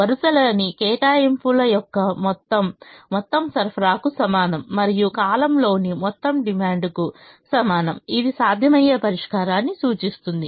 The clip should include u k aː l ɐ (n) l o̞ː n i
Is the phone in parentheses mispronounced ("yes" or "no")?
yes